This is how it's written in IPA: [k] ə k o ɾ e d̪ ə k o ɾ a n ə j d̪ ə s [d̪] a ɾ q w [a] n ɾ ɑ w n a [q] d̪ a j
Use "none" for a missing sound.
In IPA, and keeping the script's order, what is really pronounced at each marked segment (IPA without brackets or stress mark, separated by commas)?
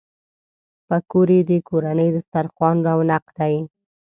p, t̪, ɑ, q